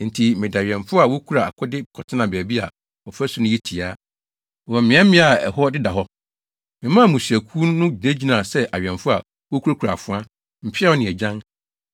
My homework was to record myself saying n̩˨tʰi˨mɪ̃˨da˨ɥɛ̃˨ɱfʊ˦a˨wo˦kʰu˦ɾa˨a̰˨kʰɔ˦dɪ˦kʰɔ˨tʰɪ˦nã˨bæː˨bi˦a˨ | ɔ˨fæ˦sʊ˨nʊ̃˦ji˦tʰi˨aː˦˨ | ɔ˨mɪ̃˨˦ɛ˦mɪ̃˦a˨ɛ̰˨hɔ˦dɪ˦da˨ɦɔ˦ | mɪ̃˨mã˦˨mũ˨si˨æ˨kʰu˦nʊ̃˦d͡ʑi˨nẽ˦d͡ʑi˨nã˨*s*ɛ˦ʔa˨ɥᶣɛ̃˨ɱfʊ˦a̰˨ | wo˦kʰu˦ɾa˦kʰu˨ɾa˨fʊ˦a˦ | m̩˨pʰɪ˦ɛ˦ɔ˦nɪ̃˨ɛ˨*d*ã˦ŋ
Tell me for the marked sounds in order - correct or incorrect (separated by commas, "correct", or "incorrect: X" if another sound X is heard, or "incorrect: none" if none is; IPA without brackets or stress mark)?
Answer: correct, incorrect: d͡ʑ